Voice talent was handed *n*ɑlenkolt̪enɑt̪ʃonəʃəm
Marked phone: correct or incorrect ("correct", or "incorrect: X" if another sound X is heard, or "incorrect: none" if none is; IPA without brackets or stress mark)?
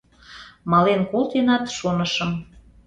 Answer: incorrect: m